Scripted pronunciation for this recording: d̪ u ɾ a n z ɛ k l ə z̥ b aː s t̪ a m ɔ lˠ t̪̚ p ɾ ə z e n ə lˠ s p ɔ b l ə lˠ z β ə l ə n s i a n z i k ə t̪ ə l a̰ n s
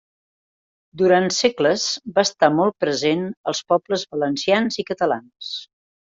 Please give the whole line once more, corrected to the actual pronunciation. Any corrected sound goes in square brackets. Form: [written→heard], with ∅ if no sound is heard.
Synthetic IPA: d̪ u ɾ a n [z→s] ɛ k l ə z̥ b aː s t̪ a m ɔ lˠ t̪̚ p ɾ ə z e n ə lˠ s p ɔ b l ə [lˠ→∅] z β ə l ə n s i a n z i k ə t̪ ə l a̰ n s